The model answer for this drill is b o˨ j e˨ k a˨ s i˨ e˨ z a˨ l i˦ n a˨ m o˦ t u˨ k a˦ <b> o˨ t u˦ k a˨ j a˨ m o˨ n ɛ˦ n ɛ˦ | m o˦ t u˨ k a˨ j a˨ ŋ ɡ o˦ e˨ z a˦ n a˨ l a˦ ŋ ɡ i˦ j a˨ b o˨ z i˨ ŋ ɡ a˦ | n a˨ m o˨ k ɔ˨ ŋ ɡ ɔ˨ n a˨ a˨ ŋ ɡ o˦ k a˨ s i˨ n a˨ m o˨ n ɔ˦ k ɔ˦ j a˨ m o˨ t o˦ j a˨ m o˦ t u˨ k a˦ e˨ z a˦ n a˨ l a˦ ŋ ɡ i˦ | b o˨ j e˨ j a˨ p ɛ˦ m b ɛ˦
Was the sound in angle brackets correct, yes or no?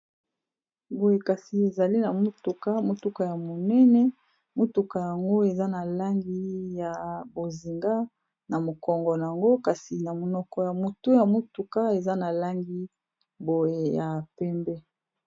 no